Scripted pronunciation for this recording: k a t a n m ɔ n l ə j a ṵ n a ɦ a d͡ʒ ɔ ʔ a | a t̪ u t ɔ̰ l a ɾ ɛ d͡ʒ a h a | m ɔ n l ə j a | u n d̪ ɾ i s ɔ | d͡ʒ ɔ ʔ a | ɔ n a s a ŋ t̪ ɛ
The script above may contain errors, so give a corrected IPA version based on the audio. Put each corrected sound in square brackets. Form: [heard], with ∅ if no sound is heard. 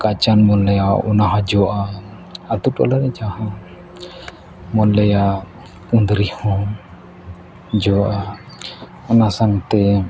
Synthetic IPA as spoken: k a [t͡ʃ] a n m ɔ n l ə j a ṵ n a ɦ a d͡ʒ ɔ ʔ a | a t̪ u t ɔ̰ l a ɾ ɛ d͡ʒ a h a | m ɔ n l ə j a | u n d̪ ɾ i [h] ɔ | d͡ʒ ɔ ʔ a | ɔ n a s a ŋ t̪ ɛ